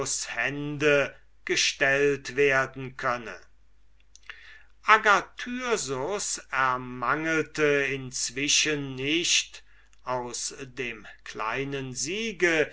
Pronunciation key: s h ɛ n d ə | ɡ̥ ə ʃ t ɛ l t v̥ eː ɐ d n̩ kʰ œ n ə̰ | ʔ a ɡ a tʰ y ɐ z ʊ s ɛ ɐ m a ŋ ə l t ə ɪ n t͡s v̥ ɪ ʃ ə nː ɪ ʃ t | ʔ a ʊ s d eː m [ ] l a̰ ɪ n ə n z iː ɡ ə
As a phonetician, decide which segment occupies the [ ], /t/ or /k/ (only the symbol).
k